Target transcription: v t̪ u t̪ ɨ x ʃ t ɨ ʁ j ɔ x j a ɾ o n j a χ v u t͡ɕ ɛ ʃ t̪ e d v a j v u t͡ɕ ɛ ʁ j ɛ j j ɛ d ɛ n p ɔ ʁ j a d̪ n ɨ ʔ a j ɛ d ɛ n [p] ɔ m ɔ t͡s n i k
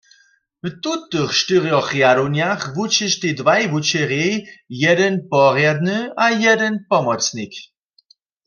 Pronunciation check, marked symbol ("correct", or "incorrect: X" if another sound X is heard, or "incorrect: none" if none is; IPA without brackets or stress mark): correct